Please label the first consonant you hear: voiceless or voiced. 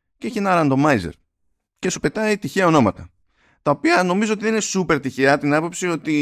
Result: voiceless